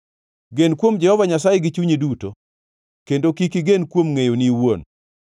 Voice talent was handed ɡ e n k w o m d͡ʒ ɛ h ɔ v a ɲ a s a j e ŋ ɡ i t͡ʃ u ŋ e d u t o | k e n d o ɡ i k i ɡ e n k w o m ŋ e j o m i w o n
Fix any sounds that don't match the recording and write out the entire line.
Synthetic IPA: ɡ e n k w o m d͡ʒ ɛ h ɔ v a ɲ a s a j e ɡ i t͡ʃ u ɲ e d u t o | k e n d o k i k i ɡ e n k w o m ŋ e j o n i w o n